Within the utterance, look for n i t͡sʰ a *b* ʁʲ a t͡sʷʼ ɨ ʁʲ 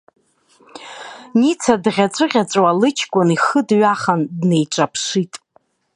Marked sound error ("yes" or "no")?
yes